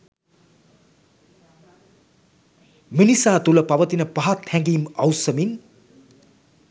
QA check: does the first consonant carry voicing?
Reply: yes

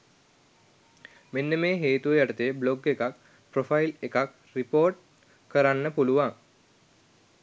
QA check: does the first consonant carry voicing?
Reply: yes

